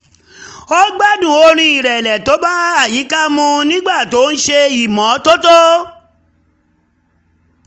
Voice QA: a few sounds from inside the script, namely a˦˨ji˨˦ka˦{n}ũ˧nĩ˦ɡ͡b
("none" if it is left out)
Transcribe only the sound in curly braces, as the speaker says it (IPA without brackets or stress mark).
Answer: m